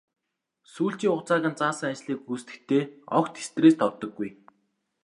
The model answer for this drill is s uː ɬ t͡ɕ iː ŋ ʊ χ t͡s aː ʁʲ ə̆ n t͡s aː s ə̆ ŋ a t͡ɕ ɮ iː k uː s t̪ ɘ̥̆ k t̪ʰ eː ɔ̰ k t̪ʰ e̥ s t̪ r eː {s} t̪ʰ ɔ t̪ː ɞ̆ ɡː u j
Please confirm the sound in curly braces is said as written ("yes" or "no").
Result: yes